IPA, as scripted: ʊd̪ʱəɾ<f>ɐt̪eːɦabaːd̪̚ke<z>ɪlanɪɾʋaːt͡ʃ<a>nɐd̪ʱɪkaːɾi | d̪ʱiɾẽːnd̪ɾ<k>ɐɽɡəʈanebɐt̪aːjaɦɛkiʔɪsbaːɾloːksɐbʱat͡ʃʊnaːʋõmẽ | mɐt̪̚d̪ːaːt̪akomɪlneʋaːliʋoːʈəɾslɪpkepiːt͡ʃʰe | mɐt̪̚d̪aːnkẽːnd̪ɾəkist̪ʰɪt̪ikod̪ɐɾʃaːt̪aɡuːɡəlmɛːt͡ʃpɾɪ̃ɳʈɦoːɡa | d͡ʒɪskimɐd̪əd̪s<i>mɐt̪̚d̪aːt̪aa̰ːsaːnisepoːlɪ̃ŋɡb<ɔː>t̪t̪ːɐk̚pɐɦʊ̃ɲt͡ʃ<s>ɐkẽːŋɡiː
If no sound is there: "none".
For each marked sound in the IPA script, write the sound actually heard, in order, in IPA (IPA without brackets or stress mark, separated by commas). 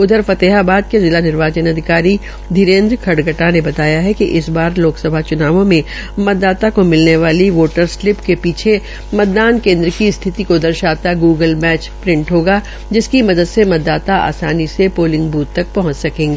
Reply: f, z, ə, kʰ, e, uː, s